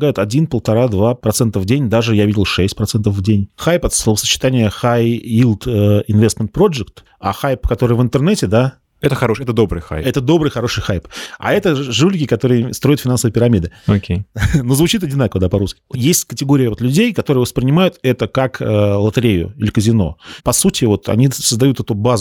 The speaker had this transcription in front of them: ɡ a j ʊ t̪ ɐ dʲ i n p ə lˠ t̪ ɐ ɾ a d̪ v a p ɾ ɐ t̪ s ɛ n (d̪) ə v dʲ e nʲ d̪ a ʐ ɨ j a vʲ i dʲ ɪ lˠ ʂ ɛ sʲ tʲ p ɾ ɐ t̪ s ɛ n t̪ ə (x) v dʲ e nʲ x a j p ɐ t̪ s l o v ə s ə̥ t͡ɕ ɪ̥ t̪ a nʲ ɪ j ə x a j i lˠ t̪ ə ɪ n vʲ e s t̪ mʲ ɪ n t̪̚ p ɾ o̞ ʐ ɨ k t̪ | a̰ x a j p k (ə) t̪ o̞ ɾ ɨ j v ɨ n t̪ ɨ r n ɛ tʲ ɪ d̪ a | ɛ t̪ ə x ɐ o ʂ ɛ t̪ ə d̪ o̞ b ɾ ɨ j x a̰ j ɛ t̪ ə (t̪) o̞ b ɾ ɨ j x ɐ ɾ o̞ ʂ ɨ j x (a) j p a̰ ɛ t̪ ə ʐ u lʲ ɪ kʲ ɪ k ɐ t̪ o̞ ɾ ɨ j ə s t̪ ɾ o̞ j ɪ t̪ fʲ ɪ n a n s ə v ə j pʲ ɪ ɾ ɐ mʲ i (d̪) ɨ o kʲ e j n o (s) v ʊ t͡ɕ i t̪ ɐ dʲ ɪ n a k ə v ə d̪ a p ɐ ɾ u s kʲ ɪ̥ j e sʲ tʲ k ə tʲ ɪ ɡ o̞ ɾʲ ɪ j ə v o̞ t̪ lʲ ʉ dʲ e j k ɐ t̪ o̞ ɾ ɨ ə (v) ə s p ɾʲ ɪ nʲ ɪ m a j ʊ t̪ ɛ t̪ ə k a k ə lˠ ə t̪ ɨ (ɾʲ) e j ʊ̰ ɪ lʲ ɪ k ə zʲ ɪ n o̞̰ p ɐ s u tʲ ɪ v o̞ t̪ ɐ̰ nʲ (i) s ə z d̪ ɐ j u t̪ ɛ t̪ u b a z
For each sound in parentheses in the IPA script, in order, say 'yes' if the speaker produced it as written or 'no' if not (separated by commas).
no, no, no, no, yes, yes, no, yes, yes, yes